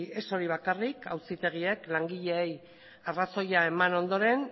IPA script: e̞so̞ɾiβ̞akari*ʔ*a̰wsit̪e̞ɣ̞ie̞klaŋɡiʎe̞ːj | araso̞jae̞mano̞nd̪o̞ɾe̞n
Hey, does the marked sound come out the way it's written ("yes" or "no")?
no